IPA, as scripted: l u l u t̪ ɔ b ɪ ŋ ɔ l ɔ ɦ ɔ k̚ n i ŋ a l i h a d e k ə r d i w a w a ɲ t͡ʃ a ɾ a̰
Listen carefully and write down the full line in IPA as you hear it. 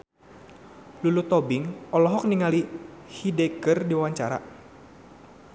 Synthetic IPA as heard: l u l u t̪ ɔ b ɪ ŋ ɔ l ɔ ɦ ɔ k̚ n i ŋ a l i h i d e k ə r d i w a w a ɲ t͡ʃ a ɾ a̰